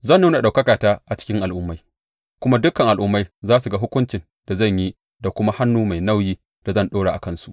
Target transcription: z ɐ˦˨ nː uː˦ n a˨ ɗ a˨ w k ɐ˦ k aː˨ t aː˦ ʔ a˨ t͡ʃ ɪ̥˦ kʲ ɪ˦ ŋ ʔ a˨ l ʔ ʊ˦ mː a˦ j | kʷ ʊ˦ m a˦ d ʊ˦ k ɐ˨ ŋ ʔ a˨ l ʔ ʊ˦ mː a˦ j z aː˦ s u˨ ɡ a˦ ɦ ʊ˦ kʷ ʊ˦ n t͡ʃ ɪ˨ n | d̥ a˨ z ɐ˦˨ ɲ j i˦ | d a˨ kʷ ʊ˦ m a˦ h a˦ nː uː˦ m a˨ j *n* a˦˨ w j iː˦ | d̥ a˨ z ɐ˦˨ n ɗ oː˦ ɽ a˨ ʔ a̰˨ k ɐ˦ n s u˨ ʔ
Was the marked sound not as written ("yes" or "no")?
no